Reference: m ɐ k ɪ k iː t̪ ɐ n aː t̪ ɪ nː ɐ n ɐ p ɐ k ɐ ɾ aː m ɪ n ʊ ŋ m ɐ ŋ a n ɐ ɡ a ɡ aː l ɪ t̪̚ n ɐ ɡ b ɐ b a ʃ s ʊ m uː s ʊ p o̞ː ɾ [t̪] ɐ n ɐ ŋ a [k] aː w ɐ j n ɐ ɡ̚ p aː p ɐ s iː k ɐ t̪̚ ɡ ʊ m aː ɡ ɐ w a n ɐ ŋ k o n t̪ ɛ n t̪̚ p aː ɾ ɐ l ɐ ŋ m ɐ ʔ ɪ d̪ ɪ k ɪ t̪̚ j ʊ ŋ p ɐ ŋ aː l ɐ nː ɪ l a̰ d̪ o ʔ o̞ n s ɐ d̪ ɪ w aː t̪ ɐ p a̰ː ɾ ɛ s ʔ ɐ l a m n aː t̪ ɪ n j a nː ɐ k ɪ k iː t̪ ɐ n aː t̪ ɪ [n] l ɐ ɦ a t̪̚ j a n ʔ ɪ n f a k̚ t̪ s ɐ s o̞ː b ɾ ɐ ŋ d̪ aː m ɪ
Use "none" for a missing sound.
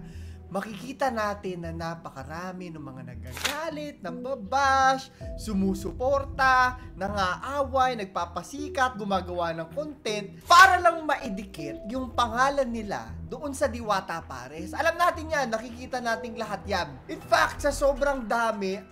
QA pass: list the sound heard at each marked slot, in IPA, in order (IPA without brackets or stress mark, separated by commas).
t̪, ʔ, ŋ